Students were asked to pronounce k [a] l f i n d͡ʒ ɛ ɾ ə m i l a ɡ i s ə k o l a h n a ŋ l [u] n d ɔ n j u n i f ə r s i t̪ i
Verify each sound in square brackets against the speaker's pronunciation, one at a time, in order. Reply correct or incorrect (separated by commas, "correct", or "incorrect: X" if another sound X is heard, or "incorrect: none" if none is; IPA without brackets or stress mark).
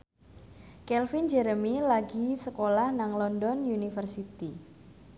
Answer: incorrect: ɛ, incorrect: ɔ